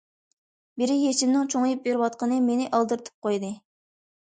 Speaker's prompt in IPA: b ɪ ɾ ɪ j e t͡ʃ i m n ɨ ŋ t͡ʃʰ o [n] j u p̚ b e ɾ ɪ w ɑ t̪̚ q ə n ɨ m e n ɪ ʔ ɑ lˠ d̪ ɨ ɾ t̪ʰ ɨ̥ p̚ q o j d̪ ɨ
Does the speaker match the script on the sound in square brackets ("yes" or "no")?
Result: no